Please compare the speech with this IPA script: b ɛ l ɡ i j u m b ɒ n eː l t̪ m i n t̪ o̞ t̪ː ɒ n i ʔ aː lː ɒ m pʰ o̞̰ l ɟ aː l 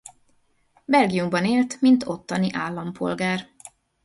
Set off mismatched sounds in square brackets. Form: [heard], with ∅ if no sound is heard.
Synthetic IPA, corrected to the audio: b ɛ l ɡ i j u m b ɒ n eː l t̪ m i n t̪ o̞ t̪ː ɒ n i ʔ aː lː ɒ m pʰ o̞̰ l [ɡ] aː [r]